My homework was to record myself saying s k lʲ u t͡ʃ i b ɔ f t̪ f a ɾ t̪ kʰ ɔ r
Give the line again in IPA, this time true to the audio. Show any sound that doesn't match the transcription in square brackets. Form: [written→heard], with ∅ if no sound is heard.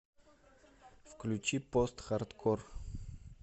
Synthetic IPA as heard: [s→f] k lʲ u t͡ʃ i [b→p] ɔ [f→s] t̪ [f→x] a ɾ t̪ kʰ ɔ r